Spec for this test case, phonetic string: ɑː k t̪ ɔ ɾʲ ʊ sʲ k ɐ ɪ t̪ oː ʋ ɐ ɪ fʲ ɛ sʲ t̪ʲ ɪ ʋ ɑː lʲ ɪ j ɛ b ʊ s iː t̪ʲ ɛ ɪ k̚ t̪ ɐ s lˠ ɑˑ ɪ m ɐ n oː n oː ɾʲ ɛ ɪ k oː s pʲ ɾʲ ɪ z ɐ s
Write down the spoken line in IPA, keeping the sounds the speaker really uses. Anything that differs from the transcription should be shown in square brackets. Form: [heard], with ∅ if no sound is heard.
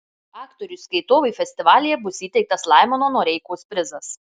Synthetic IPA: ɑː k t̪ ɔ ɾʲ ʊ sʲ k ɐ ɪ t̪ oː ʋ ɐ ɪ fʲ ɛ sʲ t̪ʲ ɪ ʋ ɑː lʲ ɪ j ɛ b ʊ s iː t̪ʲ ɛ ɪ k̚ t̪ ɐ s lˠ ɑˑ ɪ m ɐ n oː n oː ɾʲ ɛ ɪ k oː s pʲ ɾʲ ɪ z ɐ s